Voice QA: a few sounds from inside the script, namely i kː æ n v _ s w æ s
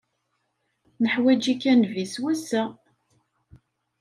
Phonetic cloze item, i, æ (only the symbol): i